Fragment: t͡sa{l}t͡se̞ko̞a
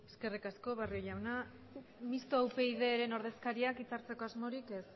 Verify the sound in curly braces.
incorrect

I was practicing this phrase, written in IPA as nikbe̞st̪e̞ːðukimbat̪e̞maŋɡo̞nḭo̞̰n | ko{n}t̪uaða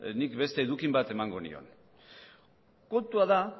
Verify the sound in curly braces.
correct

